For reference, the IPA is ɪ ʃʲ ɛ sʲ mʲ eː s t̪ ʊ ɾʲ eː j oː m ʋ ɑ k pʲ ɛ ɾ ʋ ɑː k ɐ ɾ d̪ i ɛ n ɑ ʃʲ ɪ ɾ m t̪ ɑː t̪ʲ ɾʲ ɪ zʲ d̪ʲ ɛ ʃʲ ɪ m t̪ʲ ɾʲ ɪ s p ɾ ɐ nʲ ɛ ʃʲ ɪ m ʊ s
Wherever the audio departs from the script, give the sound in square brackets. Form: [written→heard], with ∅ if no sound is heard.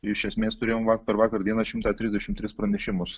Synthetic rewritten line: ɪ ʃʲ ɛ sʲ mʲ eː s t̪ ʊ ɾʲ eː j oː m ʋ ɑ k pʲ ɛ ɾ ʋ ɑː k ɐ ɾ d̪ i ɛ n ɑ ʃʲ ɪ [ɾ→∅] m t̪ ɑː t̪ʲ ɾʲ ɪ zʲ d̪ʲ ɛ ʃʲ ɪ m t̪ʲ ɾʲ ɪ s p ɾ ɐ nʲ ɛ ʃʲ ɪ m ʊ s